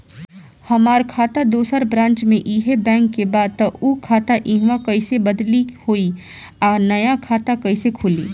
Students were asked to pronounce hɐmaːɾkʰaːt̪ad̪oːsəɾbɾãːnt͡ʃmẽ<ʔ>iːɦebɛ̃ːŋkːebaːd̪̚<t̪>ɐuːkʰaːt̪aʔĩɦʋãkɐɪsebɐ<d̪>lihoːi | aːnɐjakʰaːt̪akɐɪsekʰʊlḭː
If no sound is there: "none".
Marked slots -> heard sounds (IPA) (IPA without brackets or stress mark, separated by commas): ʔ, t̪, d̪